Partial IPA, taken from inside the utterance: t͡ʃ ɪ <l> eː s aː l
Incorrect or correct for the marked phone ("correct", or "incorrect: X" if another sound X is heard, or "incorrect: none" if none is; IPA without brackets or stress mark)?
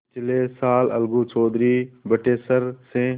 correct